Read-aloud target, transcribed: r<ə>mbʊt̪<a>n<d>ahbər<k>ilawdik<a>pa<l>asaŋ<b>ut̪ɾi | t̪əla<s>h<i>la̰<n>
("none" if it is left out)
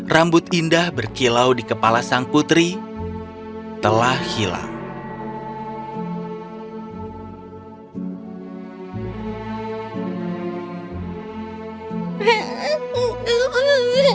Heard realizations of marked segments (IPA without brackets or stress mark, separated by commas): a, i, d, k, ə, l, p, h, i, ŋ